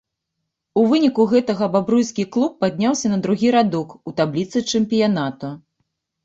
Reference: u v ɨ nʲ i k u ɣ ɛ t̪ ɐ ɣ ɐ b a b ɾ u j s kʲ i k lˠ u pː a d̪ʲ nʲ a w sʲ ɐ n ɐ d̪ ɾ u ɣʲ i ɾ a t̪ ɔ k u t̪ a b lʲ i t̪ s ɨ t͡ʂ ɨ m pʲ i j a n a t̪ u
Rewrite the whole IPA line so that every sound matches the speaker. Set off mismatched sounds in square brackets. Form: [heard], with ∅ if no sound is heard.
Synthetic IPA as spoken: u v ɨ nʲ i k u ɣ ɛ t̪ ɐ ɣ ɐ b a b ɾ u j s kʲ i k lˠ u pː a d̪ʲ nʲ a w sʲ ɐ n ɐ d̪ ɾ u ɣʲ i ɾ a [d̪] ɔ k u t̪ a b lʲ i t̪ s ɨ t͡ʂ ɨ m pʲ i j a n a t̪ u